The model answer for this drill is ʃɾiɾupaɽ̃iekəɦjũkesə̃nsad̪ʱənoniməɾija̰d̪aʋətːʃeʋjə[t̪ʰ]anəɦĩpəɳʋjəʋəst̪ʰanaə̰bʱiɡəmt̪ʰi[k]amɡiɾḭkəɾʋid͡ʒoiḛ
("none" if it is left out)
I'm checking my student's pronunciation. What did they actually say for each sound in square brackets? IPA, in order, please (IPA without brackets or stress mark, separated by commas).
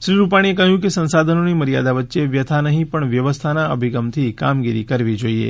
t̪ʰ, k